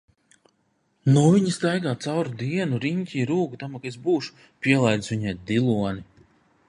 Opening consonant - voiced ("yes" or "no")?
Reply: yes